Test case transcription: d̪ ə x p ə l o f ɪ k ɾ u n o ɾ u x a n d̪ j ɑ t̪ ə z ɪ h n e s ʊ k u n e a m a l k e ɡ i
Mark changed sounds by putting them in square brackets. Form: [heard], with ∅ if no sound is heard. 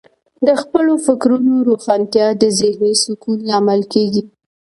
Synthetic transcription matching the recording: d̪ ə x p ə l o f ɪ k ɾ u n o ɾ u x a n [t̪] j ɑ [d̪] ə z ɪ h n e s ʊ k u n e a m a l k e ɡ i